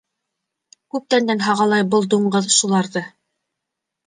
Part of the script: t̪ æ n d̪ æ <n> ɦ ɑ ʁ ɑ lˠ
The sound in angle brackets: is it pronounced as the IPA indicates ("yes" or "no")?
yes